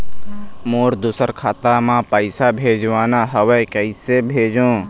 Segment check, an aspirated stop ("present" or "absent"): present